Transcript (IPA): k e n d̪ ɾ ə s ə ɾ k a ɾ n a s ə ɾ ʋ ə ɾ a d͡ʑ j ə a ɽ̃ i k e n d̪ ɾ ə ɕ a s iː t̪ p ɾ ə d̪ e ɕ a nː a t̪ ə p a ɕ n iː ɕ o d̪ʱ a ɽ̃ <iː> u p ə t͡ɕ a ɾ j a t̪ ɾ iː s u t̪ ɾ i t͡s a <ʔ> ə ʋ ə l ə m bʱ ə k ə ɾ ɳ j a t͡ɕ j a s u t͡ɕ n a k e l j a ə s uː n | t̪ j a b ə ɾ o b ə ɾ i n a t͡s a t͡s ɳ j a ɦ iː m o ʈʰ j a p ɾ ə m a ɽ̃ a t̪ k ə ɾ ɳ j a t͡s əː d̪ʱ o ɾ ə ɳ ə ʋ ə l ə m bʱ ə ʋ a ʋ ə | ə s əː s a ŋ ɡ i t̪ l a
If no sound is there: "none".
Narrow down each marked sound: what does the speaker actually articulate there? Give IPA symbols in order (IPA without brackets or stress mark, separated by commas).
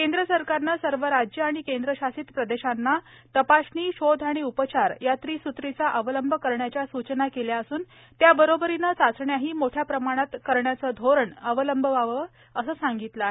i, ʔ